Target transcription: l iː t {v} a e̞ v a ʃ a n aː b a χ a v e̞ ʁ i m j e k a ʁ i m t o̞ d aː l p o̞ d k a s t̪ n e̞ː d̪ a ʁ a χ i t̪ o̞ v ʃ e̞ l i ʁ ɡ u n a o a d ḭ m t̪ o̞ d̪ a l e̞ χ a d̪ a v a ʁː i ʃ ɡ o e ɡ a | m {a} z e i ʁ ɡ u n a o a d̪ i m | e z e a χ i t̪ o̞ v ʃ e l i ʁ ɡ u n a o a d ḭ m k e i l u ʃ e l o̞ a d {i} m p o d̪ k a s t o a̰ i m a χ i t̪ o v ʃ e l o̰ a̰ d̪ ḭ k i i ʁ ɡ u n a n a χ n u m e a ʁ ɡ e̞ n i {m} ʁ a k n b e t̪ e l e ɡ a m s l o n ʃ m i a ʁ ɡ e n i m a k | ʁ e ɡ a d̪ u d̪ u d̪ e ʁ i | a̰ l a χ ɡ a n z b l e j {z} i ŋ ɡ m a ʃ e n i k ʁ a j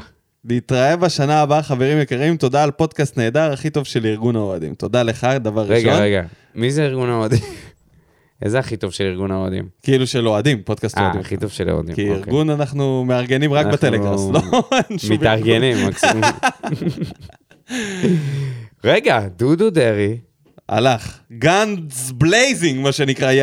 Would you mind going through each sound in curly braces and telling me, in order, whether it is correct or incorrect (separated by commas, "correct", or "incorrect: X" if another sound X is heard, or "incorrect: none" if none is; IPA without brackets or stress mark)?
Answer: incorrect: ʁ, incorrect: i, correct, correct, correct